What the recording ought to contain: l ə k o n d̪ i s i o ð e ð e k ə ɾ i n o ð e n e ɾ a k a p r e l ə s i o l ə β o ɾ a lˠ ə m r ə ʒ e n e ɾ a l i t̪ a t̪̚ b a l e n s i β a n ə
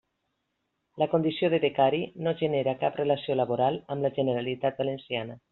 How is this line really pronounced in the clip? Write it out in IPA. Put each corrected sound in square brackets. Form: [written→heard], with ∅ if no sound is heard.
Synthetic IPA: l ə k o n d̪ i s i o ð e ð e k [ə→a] ɾ i n o [ð→ʒ] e n e ɾ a k a p r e l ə s i o l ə β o ɾ a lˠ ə m [r→l] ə ʒ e n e ɾ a l i t̪ a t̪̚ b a l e n s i [β→∅] a n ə